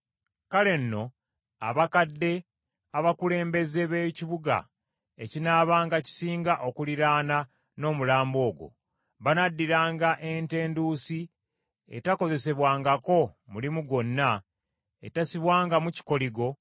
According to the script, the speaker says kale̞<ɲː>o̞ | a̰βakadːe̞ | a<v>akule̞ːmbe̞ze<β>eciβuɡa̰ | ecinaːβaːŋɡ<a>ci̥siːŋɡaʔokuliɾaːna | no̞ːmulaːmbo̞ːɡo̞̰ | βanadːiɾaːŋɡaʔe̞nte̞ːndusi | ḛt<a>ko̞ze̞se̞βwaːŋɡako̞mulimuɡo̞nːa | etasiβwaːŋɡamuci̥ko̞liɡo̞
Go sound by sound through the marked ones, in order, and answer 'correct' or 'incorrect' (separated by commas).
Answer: incorrect, incorrect, correct, correct, correct